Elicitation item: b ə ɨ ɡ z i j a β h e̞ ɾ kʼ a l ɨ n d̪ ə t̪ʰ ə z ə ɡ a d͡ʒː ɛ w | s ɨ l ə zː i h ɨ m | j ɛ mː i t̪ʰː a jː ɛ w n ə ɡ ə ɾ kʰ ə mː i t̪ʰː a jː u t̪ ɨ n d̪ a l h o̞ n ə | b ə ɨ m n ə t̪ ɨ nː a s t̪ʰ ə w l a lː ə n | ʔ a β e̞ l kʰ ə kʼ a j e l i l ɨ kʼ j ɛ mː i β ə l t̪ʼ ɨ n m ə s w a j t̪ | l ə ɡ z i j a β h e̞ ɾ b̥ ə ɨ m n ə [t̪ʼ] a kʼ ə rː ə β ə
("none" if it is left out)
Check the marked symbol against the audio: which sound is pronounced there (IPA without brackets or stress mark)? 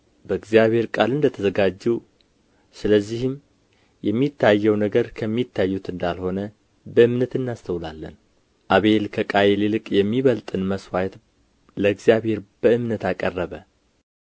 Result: t̪